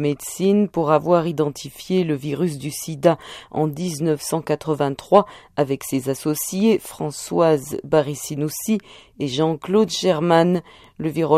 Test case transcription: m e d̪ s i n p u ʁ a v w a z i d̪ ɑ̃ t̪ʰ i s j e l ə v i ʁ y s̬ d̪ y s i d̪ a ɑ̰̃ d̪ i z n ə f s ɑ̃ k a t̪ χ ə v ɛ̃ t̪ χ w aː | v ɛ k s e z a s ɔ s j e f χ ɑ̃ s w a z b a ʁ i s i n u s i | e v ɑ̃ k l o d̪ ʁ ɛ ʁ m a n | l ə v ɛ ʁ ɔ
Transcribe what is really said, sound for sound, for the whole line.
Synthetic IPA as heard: m e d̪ s i n p u ʁ a v w a ʁ i d̪ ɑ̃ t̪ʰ i f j e l ə v i ʁ y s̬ d̪ y s i d̪ a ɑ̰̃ d̪ i z n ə f s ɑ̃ k a t̪ χ ə v ɛ̃ t̪ χ w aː | v ɛ k s e z a s ɔ s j e f χ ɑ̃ s w a z b a ʁ i s i n u s i | e ʒ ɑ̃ k l o d̪ ʒ ɛ ʁ m a n | l ə v i ʁ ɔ